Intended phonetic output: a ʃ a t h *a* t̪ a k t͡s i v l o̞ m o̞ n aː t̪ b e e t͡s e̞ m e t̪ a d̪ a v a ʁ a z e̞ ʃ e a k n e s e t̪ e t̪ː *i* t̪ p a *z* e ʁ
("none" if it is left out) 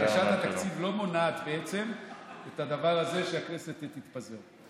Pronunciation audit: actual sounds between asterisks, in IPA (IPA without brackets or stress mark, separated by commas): a, i, z